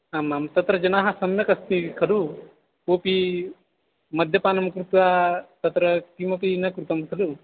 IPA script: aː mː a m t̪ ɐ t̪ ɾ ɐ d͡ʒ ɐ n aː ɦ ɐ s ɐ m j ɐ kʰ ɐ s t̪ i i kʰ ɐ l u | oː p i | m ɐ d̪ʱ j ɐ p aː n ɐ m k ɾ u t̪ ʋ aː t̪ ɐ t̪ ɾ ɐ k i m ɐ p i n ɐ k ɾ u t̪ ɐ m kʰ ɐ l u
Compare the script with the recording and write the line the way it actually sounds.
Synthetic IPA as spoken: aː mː a m t̪ ɐ t̪ ɾ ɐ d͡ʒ ɐ n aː ɦ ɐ s ɐ m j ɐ k ɐ s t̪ i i kʰ ɐ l u | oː p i | m ɐ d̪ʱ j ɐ p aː n ɐ m k ɾ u t̪ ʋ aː t̪ ɐ t̪ ɾ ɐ k i m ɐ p i n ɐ k ɾ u t̪ ɐ m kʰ ɐ l u